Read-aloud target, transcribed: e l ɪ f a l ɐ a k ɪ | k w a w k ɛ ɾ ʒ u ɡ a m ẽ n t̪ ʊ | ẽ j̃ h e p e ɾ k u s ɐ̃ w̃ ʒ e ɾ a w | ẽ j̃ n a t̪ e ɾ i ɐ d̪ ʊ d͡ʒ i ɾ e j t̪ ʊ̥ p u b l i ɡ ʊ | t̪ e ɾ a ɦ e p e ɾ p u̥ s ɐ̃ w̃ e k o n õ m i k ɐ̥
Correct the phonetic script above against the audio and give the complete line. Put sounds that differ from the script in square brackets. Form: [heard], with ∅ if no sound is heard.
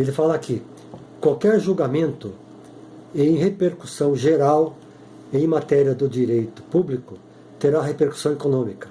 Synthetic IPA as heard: e l ɪ f a l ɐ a k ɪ | k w a w k ɛ ɾ ʒ u ɡ a m ẽ n t̪ ʊ | ẽ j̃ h e p e ɾ k u s ɐ̃ w̃ ʒ e ɾ a w | ẽ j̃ [m] a t̪ [ɛ] ɾ i ɐ d̪ ʊ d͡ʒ i ɾ e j t̪ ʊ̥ p u b l i [k] ʊ | t̪ e ɾ a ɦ e p e ɾ [k] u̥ s ɐ̃ w̃ e k o n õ m i k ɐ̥